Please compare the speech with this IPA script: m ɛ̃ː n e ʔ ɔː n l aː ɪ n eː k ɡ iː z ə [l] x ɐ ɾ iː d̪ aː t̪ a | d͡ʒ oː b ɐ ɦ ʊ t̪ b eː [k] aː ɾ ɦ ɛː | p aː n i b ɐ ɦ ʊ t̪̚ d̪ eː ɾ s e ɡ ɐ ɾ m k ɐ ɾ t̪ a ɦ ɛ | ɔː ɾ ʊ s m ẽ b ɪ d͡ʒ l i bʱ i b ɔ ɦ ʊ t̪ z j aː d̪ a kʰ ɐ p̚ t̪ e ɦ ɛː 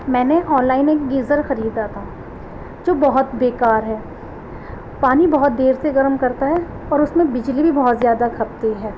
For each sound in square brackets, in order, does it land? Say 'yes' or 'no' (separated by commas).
no, yes